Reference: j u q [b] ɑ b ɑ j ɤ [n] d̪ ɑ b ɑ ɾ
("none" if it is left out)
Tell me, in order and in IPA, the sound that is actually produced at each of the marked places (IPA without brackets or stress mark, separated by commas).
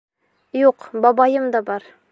b, m